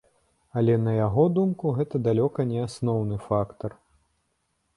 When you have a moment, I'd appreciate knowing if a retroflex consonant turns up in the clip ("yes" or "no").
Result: no